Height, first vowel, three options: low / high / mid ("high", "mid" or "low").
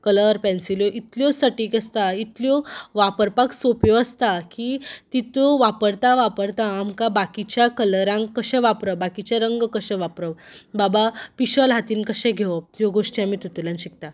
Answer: mid